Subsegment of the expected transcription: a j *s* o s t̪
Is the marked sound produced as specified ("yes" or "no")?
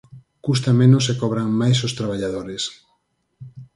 yes